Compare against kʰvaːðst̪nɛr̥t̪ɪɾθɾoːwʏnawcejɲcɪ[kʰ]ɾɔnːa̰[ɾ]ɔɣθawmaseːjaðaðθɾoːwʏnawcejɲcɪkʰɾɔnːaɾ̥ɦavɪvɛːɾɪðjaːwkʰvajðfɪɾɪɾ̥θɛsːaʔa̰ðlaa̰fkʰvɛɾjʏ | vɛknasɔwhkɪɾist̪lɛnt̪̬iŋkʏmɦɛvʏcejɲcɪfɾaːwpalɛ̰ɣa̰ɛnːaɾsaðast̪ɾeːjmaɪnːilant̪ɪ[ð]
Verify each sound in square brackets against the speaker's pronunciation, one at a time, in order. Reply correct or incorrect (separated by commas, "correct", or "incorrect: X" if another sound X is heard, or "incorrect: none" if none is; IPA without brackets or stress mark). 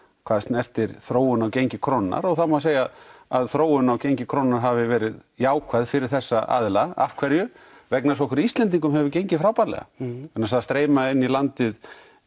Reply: correct, correct, correct